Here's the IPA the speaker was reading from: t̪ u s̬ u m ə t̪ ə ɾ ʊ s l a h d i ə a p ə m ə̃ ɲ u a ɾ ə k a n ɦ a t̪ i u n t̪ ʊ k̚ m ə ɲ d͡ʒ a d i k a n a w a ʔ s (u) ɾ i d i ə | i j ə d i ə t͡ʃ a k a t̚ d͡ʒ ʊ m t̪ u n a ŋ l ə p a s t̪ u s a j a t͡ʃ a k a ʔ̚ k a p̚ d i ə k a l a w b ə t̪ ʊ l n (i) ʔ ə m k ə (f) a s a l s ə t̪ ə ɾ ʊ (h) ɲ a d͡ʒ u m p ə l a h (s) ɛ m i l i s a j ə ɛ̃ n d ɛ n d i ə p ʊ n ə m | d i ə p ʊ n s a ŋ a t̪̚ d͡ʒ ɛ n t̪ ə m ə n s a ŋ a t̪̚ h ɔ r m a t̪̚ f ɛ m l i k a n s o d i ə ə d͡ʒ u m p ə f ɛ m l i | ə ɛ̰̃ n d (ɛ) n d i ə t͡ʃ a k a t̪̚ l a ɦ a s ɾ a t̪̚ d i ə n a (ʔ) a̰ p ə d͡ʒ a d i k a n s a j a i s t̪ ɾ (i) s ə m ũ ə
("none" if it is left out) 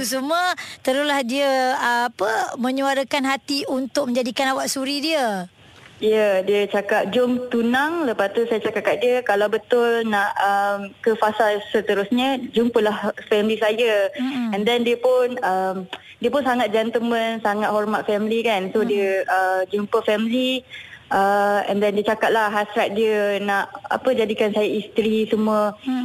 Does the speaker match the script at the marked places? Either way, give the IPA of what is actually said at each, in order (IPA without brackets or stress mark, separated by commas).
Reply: u, a, f, s, f, ɛ, ʔ, i